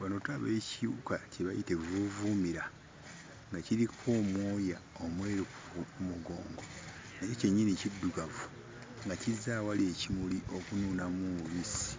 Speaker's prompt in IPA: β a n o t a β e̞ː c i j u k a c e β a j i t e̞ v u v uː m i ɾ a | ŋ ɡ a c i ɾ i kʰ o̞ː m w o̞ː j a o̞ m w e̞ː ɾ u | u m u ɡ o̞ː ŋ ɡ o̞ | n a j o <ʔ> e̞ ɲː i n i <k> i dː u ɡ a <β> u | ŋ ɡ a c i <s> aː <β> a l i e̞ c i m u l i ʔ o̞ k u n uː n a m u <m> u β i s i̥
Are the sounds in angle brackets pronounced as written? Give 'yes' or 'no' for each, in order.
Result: no, no, no, no, no, yes

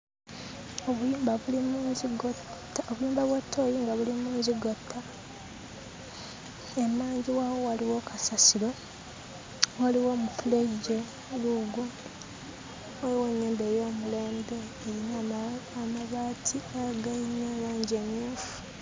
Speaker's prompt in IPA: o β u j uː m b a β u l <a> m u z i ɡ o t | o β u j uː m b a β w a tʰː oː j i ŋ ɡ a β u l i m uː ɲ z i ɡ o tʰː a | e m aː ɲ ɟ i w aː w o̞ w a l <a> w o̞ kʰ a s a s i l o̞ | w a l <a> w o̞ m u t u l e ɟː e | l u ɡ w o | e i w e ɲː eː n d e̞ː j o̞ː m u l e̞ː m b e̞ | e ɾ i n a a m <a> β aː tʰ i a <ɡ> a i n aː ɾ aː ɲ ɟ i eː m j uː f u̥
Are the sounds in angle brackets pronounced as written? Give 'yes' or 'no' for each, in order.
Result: no, no, no, yes, yes

